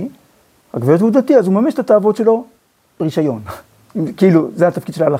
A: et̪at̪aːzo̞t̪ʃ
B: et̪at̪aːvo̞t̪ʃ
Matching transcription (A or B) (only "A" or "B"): B